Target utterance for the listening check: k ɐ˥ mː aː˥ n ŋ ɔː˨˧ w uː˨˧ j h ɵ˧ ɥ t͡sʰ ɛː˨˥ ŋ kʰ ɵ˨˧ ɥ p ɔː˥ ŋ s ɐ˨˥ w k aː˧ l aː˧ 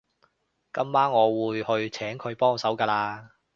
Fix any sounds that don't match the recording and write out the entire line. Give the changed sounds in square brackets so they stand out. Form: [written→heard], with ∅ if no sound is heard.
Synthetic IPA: k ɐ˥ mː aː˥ n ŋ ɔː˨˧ w uː˨˧ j h ɵ˧ ɥ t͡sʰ ɛː˨˥ ŋ kʰ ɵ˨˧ ɥ p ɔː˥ ŋ s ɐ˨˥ w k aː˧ l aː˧